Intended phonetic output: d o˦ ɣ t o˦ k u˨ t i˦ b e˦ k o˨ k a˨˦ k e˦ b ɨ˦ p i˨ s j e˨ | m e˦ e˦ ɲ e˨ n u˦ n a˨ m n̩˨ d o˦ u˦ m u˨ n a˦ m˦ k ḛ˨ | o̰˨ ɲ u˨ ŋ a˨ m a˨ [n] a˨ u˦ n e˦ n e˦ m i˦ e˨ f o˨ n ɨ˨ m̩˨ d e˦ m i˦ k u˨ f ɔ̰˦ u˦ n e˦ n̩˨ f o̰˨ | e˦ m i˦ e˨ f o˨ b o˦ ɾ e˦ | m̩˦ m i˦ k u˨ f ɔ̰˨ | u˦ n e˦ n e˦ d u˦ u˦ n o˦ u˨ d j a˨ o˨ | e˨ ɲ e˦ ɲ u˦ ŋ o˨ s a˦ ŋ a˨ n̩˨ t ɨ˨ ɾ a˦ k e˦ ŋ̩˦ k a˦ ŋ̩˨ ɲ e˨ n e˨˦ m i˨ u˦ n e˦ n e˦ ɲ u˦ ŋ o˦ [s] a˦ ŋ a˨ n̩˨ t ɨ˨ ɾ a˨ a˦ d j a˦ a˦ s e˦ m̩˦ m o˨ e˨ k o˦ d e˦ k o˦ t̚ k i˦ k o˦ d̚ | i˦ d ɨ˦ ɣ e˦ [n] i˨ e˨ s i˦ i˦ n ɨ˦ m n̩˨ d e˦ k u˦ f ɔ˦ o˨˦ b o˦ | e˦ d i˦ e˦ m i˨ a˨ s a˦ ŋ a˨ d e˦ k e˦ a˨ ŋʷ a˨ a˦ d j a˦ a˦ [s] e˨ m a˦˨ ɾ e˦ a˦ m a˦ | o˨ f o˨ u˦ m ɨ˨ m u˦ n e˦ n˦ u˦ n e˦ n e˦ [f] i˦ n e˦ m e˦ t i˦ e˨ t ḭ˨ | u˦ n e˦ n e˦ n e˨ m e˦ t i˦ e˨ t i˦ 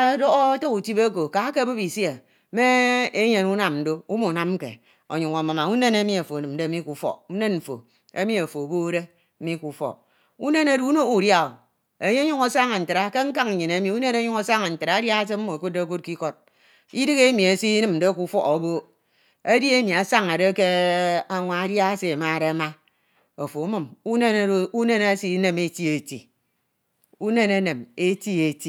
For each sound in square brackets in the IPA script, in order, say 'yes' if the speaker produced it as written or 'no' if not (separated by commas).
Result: no, yes, no, yes, no